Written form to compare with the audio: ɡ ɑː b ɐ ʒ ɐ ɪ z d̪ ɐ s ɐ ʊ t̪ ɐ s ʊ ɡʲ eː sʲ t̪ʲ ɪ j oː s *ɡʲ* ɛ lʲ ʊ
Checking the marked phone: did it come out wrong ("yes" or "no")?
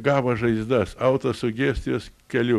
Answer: yes